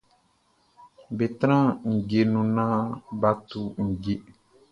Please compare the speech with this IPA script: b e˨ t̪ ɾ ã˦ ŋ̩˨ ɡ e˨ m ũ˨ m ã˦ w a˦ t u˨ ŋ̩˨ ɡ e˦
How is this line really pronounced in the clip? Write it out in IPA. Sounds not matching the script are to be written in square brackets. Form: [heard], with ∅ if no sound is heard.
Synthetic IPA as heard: b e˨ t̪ ɾ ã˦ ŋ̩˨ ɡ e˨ [n] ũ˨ [n] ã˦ [b] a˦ t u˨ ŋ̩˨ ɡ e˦